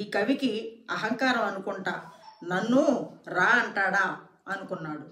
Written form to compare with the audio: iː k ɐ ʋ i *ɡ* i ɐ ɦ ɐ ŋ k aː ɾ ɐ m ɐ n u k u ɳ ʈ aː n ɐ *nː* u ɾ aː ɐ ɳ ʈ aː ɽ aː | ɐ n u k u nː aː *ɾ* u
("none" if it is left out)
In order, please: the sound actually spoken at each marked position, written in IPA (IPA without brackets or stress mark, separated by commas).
k, nː, ɽ